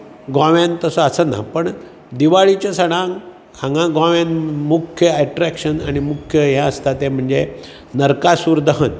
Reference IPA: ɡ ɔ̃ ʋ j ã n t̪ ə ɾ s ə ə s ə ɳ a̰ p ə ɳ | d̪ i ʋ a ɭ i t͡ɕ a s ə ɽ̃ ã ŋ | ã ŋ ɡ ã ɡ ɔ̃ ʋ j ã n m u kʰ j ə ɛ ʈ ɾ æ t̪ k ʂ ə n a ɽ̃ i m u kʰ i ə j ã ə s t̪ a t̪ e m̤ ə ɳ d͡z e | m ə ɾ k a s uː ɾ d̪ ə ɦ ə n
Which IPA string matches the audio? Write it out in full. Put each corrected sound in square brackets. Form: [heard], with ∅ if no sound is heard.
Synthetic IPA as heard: ɡ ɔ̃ ʋ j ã n t̪ ə [∅] s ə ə s ə [n] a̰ p ə ɳ | d̪ i ʋ a ɭ i t͡ɕ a s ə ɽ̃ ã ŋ | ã ŋ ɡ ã ɡ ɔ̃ ʋ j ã n m u kʰ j ə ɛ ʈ ɾ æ [∅] k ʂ ə n a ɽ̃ i m u kʰ [j] ə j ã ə s t̪ a t̪ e m̤ ə ɳ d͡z e | [n] ə ɾ k a s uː ɾ d̪ ə ɦ ə n